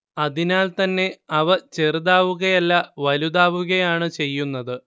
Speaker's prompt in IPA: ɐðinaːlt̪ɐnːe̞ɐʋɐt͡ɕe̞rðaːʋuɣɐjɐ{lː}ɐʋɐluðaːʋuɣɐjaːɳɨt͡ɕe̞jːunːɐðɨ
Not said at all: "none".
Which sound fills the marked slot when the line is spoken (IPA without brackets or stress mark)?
lː